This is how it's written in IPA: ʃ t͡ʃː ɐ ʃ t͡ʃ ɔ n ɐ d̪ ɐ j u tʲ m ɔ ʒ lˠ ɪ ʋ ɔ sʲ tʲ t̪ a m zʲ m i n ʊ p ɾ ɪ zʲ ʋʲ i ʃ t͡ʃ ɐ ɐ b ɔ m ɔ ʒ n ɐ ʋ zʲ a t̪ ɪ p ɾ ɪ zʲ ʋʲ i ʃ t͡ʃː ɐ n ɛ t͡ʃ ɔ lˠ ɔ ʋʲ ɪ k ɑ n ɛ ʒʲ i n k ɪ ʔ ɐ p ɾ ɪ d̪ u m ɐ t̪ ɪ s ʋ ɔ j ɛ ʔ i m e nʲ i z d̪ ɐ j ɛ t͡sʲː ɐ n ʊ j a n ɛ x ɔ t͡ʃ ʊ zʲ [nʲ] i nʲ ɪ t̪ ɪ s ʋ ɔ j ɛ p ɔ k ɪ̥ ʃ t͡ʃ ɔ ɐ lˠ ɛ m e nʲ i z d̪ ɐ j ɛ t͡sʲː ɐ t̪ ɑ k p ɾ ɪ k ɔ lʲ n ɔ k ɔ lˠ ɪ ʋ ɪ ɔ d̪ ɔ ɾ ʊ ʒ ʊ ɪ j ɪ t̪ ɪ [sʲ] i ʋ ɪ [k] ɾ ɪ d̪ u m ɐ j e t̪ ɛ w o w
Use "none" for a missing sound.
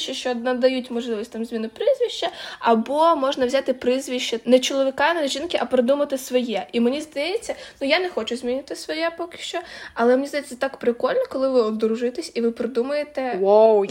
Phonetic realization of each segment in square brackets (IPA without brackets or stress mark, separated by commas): mʲ, sʲ, p